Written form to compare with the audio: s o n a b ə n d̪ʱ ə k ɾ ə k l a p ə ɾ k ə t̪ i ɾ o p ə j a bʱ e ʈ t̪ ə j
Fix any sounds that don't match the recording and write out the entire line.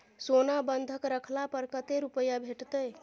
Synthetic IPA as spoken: s o n a b ə n d̪ʱ ə k ɾ ə kʰ l a p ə ɾ k ə t̪ e ɾ u p ə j a bʱ e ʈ t̪ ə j